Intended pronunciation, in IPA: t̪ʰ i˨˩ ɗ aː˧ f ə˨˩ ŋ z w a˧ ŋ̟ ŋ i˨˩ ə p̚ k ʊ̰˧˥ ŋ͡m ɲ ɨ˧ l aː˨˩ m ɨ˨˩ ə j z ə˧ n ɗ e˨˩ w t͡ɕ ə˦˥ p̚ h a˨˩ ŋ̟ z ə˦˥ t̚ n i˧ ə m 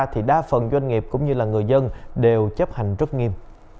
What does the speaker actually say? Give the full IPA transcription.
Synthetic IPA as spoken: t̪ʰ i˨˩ ɗ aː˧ f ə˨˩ n z w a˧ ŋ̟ ŋ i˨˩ ə p̚ k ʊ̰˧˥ ŋ͡m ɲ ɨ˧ l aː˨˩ ŋ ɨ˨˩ ə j z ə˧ n ɗ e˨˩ w t͡ɕ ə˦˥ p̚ h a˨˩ ŋ̟ z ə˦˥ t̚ ŋ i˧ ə m